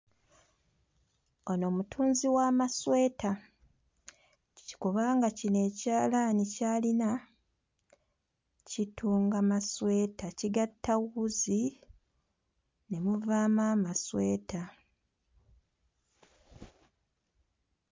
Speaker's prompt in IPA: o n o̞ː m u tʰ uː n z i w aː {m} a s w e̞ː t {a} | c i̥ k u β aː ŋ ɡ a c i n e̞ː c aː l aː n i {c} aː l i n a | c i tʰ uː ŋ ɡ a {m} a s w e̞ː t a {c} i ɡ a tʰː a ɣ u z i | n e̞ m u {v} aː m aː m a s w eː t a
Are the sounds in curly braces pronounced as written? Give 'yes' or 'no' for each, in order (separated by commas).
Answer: yes, yes, yes, yes, yes, yes